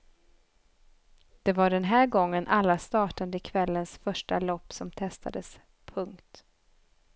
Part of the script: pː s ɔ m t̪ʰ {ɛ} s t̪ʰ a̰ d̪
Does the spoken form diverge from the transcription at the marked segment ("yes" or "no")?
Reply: no